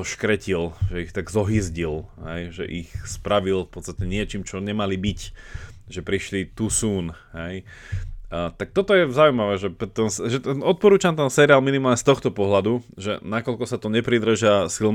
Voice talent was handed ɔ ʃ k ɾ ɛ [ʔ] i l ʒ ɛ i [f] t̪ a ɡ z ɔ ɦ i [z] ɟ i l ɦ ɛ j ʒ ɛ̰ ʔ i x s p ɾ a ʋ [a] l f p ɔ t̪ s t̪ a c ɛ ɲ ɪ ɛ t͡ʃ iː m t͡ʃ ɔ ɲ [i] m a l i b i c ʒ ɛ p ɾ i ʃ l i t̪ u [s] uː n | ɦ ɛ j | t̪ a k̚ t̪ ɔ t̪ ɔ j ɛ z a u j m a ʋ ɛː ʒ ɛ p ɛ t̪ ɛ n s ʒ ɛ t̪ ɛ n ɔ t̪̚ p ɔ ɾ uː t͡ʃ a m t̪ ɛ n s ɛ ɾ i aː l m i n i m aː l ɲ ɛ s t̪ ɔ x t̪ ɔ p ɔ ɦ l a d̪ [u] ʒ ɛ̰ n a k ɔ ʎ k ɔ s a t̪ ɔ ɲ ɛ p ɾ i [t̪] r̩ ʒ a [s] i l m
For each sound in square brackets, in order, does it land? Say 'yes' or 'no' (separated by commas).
no, no, yes, no, no, yes, yes, no, yes